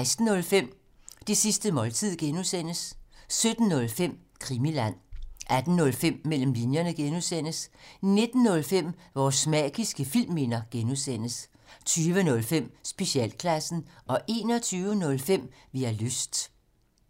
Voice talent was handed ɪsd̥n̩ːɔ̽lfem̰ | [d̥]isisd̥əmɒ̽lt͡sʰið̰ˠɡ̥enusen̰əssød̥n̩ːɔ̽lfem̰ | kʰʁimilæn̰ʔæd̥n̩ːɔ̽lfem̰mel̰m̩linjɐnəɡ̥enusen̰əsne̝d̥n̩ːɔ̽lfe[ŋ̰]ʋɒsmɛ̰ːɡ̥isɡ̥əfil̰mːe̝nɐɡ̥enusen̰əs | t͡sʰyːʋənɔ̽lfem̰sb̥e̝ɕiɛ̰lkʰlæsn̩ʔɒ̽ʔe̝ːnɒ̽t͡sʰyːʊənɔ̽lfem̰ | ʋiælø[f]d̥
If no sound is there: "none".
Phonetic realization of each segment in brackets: d̥, m̰, s

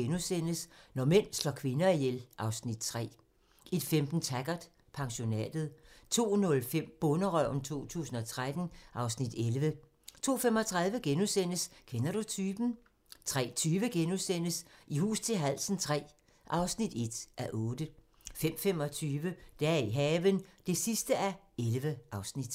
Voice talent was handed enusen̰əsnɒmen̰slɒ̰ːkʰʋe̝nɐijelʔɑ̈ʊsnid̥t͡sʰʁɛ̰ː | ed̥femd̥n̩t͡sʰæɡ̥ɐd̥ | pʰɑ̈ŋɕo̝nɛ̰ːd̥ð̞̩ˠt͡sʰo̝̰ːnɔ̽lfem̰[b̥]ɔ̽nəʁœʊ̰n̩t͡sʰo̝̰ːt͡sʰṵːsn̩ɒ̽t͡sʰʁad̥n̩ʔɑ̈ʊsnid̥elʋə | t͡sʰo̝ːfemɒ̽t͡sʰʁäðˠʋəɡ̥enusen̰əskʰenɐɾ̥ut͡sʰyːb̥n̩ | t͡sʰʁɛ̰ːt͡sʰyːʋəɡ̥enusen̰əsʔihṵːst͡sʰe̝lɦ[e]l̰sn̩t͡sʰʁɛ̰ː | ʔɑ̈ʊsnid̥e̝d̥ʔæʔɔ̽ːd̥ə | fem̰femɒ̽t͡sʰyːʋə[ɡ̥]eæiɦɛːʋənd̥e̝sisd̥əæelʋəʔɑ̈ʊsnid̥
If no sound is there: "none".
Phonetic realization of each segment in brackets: b̥, æ, d̥

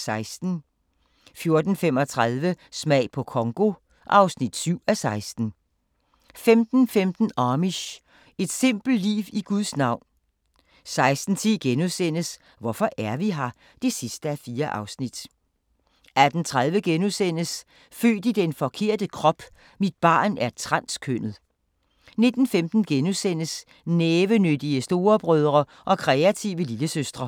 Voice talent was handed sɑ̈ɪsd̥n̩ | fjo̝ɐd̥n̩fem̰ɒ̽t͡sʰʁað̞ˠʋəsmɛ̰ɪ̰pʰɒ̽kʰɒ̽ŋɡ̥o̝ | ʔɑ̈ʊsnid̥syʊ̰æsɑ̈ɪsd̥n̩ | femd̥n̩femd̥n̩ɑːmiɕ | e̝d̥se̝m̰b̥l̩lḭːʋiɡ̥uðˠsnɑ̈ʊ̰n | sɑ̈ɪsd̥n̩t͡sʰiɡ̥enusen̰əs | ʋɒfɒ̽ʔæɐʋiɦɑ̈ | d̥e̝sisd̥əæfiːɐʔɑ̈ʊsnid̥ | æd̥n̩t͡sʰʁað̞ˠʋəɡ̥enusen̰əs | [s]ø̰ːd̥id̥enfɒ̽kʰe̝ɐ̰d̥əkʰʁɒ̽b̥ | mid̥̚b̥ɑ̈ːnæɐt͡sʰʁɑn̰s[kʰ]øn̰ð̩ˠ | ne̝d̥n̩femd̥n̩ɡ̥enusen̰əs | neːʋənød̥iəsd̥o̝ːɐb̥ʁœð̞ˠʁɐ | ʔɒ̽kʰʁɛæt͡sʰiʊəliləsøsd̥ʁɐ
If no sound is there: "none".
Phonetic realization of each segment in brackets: f, kʰ

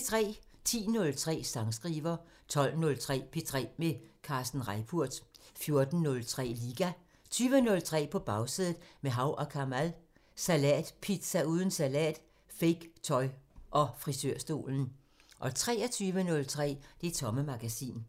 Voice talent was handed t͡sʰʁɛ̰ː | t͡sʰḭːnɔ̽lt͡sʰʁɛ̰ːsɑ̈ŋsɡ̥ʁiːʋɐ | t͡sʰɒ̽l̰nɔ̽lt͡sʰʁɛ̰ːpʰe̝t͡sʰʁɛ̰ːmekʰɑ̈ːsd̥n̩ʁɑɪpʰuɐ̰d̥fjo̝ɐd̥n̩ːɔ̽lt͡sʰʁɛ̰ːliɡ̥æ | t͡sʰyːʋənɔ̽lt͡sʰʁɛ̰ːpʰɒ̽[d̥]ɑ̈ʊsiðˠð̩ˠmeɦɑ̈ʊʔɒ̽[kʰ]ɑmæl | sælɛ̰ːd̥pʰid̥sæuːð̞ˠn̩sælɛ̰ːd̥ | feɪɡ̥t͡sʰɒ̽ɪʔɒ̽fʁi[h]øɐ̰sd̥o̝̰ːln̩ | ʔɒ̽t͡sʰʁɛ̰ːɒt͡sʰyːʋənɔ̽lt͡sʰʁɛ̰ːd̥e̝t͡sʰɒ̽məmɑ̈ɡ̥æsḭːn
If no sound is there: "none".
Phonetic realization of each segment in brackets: b̥, kʰ, s

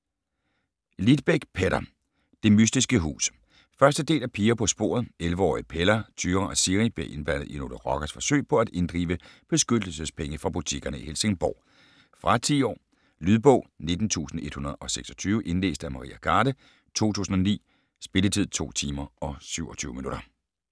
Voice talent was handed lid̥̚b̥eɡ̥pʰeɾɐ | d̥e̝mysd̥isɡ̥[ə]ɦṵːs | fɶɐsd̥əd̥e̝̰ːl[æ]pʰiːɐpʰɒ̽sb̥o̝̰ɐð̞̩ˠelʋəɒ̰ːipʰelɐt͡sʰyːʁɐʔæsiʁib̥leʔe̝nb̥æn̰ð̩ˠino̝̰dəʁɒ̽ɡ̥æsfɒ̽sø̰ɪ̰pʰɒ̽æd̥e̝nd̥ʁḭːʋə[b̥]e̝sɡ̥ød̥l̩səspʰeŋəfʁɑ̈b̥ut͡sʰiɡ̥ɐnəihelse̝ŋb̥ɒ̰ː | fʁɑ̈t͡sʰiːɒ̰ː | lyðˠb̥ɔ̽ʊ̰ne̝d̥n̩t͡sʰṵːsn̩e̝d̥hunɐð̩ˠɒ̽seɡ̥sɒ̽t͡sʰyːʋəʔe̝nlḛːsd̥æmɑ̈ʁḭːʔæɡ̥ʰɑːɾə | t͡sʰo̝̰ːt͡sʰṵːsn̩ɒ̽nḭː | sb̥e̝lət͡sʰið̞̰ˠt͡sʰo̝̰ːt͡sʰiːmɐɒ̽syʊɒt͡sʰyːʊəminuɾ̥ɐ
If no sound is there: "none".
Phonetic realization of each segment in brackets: ə, æ, b̥

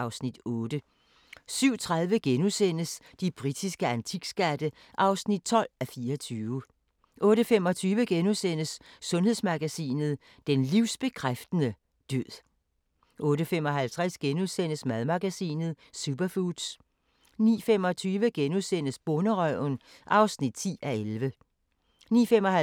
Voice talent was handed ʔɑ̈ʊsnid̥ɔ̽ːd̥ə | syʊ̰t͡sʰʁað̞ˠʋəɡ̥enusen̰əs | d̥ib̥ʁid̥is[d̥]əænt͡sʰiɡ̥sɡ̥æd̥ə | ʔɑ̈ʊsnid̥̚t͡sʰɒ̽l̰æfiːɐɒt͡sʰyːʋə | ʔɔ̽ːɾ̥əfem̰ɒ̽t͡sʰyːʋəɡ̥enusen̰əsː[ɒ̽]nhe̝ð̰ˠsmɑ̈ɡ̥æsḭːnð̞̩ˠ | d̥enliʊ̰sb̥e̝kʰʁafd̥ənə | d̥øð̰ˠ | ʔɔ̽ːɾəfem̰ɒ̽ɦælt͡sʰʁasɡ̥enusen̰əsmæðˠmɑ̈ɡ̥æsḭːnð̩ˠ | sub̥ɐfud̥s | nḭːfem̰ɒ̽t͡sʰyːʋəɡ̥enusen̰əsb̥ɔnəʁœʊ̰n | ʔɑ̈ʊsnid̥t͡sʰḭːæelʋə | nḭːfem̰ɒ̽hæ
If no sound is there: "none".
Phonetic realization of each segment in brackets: ɡ̥, ɔ̽

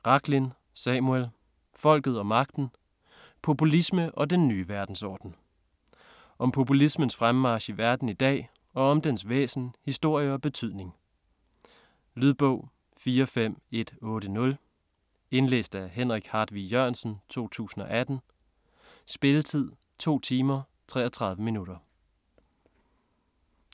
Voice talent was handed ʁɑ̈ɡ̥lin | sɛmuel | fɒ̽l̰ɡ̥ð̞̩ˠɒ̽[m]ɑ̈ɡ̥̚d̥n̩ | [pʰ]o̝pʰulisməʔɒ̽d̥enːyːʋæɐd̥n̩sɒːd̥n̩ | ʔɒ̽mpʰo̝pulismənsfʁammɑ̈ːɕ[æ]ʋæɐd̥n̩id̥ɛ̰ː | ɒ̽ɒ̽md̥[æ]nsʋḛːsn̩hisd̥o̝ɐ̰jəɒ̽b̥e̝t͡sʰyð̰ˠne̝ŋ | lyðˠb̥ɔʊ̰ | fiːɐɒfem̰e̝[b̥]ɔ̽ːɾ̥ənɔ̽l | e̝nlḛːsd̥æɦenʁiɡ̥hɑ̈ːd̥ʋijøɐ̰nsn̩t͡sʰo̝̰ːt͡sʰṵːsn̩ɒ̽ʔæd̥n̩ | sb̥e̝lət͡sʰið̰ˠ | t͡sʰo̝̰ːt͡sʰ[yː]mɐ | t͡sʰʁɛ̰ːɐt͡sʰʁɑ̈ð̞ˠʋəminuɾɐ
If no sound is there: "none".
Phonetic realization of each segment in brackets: m, pʰ, i, e, d̥, iː

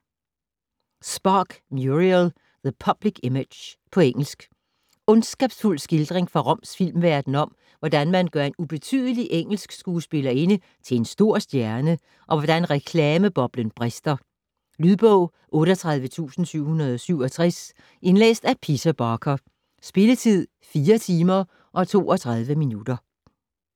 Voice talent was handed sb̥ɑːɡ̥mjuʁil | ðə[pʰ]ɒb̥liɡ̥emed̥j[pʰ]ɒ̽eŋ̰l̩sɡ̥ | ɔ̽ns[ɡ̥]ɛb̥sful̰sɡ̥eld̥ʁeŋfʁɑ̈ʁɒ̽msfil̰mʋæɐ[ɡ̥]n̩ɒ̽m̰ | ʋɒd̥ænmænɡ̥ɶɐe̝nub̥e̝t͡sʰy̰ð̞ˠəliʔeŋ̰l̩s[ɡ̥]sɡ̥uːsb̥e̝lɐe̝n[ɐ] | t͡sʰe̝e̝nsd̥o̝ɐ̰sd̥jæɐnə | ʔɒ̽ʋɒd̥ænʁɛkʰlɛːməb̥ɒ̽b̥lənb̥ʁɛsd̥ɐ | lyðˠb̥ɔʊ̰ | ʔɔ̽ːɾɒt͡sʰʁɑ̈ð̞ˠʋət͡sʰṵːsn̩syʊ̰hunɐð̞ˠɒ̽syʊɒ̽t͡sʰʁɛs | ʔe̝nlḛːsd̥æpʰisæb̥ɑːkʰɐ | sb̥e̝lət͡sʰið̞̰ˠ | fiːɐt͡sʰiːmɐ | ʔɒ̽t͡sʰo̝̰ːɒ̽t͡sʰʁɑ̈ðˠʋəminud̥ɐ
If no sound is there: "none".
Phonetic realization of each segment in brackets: pʰ, pʰ, ɡ̥, d̥, ɡ̥, ə

